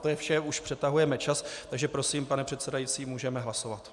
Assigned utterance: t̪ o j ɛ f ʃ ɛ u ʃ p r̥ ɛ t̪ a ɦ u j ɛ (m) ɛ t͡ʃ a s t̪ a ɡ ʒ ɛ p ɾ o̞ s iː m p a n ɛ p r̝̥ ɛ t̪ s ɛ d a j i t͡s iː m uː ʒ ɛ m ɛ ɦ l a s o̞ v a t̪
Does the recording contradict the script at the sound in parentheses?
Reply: no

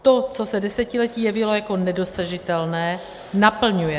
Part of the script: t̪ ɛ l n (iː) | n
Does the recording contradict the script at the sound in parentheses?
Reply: yes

